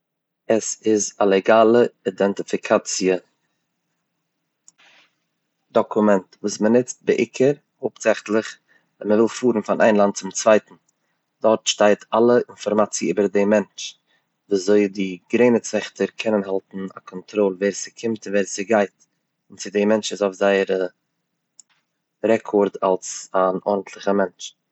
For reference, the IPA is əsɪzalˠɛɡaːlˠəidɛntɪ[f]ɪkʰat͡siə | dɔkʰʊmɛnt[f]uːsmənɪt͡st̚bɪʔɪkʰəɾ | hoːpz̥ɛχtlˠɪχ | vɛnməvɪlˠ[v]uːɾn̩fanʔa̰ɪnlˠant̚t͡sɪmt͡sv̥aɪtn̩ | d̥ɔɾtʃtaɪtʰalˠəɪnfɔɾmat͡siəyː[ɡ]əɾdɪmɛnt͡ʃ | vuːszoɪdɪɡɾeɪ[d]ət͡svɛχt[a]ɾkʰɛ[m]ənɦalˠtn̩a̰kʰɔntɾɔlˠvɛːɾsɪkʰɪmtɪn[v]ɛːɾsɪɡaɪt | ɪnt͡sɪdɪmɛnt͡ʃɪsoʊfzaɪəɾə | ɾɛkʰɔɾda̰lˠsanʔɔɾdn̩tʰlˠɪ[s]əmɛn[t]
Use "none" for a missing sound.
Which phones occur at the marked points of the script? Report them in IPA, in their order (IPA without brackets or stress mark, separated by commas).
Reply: f, v, f, b, n, ə, n, v, χ, t͡ʃ